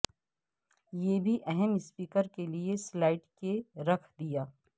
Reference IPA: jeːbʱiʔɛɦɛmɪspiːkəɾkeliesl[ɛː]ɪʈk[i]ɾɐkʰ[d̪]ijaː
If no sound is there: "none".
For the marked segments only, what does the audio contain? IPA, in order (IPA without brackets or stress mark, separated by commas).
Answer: aː, e, d̪